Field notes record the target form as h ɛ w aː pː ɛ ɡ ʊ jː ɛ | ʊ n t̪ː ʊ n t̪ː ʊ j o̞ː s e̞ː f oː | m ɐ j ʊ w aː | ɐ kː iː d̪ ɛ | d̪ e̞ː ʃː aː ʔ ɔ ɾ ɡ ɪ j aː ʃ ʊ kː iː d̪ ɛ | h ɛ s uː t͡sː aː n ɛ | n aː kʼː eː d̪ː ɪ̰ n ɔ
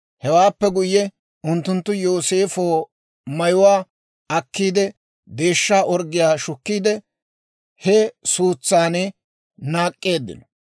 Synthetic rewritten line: h ɛ w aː pː ɛ ɡ ʊ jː ɛ | ʊ n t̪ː ʊ n t̪ː ʊ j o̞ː s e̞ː f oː | m ɐ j ʊ w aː | ɐ kː iː d̪ ɛ | d̪ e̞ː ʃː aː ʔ ɔ ɾ ɡ ɪ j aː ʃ ʊ kː iː d̪ ɛ | h ɛ s uː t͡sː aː n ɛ | n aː kʼː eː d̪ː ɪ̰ n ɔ